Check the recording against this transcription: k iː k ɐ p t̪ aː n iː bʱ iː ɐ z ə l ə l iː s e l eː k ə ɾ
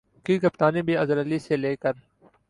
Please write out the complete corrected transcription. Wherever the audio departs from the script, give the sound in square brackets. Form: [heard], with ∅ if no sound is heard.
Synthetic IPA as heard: k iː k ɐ p t̪ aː n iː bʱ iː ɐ z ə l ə l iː s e l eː k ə ɾ

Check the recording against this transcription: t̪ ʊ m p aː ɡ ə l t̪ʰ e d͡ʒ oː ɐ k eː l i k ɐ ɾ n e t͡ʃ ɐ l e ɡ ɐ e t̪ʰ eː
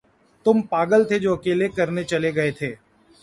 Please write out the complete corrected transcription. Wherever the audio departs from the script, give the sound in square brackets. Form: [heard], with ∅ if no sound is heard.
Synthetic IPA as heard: t̪ ʊ m p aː ɡ ə l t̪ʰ e d͡ʒ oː ɐ k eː l [e] k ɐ ɾ n e t͡ʃ ɐ l e ɡ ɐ e t̪ʰ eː

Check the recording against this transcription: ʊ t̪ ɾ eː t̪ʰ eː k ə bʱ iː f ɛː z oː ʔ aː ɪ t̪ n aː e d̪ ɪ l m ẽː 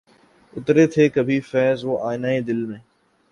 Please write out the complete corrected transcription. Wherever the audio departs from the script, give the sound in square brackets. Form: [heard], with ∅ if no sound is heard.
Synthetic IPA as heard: ʊ t̪ ɾ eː t̪ʰ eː k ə bʱ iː f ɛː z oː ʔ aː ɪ [∅] n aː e d̪ ɪ l m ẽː

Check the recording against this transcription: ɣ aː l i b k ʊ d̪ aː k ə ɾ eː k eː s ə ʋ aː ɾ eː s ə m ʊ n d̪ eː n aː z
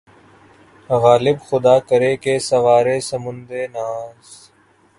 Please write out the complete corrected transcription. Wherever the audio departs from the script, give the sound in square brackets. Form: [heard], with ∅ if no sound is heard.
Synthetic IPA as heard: ɣ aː l [ɪ] b [x] ʊ d̪ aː k ə ɾ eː k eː s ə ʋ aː ɾ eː s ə m ʊ n d̪ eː n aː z

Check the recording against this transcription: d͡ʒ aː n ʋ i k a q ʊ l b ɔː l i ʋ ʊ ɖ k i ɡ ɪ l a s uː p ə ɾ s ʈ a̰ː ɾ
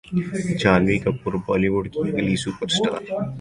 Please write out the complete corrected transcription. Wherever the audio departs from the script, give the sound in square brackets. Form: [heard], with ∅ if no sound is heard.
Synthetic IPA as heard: d͡ʒ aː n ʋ i k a [p] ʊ [ɾ] b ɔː l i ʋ ʊ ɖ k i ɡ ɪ l [i] s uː p ə ɾ s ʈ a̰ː ɾ

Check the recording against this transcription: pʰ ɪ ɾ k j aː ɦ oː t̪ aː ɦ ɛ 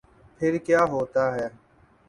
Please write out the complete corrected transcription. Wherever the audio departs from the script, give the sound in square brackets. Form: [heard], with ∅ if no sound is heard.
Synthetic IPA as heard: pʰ ɪ ɾ k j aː ɦ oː t̪ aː ɦ [ɛː]

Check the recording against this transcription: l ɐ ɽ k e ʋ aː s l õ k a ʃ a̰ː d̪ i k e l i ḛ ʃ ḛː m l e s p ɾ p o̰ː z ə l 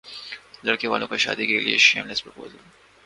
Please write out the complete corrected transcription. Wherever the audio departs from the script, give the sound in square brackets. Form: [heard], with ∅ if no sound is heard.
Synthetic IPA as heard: l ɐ ɽ k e ʋ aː [∅] l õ k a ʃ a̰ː d̪ i k e l i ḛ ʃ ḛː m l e s p ɾ p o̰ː z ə l

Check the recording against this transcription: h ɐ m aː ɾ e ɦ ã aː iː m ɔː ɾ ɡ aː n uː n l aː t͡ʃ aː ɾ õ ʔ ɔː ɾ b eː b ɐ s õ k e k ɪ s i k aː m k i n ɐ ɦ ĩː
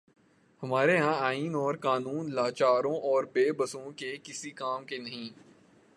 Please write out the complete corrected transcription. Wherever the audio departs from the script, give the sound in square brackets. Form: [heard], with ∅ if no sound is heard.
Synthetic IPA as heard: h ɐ m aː ɾ e ɦ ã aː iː [n] ɔː ɾ [k] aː n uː n l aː t͡ʃ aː ɾ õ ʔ ɔː ɾ b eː b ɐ s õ k e k ɪ s i k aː m k [e] n ɐ ɦ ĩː

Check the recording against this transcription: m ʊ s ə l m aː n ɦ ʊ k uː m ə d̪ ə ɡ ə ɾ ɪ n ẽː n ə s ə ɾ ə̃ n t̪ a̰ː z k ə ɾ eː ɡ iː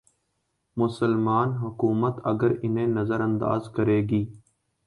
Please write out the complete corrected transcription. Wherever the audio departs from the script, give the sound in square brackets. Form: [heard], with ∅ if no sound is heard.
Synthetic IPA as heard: m ʊ s ə l m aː n ɦ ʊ k uː m ə [t̪] ə ɡ ə ɾ ɪ n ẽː n ə [z] ə ɾ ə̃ n [d̪] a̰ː z k ə ɾ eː ɡ iː

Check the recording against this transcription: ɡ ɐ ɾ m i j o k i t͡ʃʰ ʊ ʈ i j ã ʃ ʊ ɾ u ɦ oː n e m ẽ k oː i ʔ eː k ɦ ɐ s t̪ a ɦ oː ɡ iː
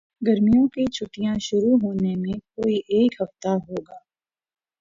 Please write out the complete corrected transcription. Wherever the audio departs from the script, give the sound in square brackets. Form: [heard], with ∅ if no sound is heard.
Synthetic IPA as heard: ɡ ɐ ɾ m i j [õ] k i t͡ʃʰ ʊ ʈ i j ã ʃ ʊ ɾ u ɦ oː n e m ẽ k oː i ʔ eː k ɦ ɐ [f] t̪ a ɦ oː ɡ [aː]

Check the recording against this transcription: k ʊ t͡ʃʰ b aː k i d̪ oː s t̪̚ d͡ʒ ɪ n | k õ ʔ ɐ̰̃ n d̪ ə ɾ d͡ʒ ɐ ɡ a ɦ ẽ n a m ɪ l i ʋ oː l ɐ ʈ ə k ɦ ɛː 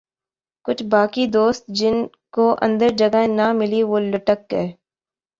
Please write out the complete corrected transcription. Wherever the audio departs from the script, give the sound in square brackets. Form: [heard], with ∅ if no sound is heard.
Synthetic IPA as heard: k ʊ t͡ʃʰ b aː k i d̪ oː s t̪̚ d͡ʒ ɪ n | k [o] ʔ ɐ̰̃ n d̪ ə ɾ d͡ʒ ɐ ɡ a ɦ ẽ n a m ɪ l i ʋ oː l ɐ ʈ ə k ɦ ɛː

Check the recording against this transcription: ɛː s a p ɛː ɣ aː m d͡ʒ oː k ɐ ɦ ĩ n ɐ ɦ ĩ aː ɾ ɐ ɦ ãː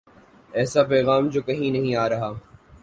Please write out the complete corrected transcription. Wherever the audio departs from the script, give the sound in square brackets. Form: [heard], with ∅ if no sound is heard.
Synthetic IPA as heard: ɛː s a p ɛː ɣ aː m d͡ʒ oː k ɐ ɦ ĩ n ɐ ɦ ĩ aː ɾ ɐ ɦ [aː]

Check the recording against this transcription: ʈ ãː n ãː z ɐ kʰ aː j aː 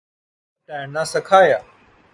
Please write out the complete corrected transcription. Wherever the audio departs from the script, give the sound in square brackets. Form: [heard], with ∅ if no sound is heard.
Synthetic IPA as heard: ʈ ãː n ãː [s] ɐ kʰ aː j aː

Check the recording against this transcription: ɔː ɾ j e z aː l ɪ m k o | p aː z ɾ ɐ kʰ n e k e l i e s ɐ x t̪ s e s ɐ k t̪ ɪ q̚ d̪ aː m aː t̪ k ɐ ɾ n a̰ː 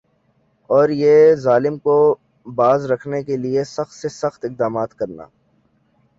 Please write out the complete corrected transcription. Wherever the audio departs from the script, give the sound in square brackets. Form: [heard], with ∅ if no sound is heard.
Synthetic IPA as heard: ɔː ɾ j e z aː l ɪ m k o | [b] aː z ɾ ɐ kʰ n e k e l i e s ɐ x t̪ s e s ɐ [x] t̪ ɪ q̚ d̪ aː m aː t̪ k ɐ ɾ n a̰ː

